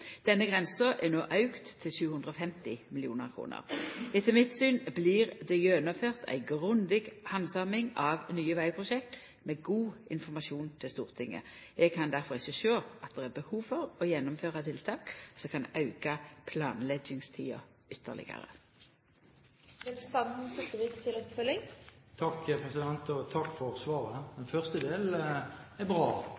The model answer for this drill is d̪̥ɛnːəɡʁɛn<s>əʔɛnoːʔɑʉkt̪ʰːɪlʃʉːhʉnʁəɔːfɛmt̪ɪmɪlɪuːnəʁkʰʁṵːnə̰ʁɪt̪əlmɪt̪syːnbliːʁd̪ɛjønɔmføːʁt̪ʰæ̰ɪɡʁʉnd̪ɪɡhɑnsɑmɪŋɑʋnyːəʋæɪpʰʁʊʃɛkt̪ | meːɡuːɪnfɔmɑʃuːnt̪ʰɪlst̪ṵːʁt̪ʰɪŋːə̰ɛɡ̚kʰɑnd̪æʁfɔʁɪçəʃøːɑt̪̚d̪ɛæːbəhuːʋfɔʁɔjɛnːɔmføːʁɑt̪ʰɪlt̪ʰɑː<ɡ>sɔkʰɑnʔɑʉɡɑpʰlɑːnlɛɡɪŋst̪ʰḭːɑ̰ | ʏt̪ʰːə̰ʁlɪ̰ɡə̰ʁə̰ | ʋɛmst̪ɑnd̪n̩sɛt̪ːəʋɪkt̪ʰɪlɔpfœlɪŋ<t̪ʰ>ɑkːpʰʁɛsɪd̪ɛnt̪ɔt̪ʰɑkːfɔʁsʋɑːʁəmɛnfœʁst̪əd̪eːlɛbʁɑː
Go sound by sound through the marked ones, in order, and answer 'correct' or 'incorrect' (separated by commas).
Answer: correct, incorrect, correct